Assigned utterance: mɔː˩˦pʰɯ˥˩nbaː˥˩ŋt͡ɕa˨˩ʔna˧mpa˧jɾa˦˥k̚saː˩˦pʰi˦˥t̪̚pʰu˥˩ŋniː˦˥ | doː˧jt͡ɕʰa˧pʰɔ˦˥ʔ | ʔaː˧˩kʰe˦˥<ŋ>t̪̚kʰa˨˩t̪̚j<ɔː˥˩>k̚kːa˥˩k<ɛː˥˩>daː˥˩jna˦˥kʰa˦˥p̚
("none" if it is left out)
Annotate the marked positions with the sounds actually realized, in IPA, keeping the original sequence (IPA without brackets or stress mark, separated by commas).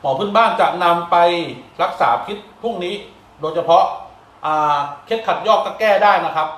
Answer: none, ɔː˥˩, ɛː˥˩